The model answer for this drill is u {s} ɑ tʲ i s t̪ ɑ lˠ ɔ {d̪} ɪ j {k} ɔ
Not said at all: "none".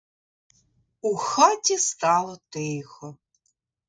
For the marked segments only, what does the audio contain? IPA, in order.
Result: x, t̪, x

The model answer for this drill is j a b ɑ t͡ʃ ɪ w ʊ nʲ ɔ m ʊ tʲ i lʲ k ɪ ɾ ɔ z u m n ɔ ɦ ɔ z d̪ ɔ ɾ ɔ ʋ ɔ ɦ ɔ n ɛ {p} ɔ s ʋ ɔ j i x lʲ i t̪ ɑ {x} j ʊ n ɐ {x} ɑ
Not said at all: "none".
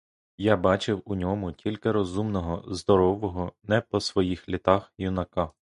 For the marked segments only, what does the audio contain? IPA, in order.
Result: p, x, k

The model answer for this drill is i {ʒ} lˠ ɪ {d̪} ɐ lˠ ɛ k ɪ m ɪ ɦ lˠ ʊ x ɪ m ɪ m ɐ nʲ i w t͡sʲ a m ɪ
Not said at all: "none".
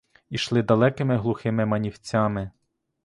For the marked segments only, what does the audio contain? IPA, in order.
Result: ʃ, d̪

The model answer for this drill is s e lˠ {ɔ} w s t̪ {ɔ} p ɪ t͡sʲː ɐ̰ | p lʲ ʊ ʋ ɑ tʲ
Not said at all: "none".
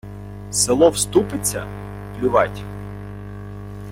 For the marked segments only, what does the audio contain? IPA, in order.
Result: ɔ, u

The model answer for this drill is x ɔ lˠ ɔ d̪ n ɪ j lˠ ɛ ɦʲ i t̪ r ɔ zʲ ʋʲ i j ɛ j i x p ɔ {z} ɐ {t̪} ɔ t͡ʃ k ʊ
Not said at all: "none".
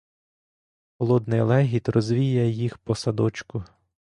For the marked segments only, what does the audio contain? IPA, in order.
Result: s, d̪

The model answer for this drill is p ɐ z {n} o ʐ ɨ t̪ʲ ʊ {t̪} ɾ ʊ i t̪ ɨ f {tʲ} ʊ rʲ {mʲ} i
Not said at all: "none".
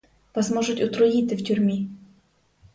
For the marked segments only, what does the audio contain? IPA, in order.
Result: m, t̪, tʲ, mʲ

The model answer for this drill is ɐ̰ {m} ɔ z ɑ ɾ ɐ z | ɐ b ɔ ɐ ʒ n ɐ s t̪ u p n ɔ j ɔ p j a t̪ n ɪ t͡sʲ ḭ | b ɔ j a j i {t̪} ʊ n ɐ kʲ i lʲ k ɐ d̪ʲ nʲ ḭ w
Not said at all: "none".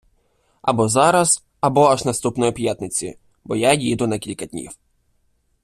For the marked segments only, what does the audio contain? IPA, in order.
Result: b, d̪

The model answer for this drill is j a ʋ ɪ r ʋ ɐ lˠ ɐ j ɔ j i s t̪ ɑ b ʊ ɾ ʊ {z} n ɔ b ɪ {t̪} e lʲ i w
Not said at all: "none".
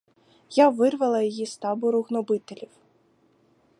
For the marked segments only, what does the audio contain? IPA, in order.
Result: ɣ, t̪

